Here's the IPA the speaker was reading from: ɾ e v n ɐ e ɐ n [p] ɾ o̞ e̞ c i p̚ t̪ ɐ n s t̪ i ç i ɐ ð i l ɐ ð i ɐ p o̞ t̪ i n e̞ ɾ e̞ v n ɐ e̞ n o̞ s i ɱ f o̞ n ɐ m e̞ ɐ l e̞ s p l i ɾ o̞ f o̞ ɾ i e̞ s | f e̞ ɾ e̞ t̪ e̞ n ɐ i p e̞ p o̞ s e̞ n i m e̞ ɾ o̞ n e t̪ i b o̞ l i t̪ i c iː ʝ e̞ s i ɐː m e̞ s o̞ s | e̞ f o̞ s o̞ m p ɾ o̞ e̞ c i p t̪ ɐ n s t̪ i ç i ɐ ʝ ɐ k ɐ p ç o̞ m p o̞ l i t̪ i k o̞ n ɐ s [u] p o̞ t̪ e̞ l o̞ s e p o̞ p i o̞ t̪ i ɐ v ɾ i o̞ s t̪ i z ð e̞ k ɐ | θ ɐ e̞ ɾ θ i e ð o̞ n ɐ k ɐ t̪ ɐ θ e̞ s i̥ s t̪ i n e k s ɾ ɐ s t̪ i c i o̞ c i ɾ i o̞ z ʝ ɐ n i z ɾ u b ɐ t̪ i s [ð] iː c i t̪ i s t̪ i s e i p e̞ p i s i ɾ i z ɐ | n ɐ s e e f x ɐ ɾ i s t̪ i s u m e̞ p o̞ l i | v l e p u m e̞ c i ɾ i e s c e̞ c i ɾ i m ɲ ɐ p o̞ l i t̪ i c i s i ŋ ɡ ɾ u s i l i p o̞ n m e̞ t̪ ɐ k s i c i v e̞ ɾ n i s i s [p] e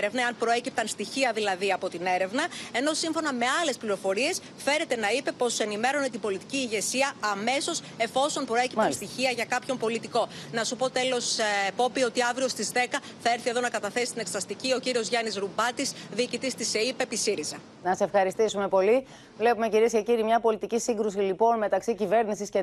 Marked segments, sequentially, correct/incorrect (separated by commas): correct, correct, correct, incorrect